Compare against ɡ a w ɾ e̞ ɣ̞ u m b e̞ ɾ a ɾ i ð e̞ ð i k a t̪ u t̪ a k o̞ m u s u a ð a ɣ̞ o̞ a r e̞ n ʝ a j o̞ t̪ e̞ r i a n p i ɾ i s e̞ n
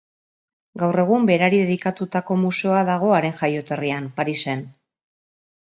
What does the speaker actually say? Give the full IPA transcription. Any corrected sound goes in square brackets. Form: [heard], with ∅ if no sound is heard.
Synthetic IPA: ɡ a w [r] e̞ ɣ̞ u m b e̞ ɾ a ɾ i ð e̞ ð i k a t̪ u t̪ a k o̞ m u s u a ð a ɣ̞ o̞ a [ɾ] e̞ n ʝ a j o̞ t̪ e̞ r i a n p [a] ɾ i s e̞ n